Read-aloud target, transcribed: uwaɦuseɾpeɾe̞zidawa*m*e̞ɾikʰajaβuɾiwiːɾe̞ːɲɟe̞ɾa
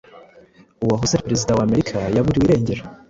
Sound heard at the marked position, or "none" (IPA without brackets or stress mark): m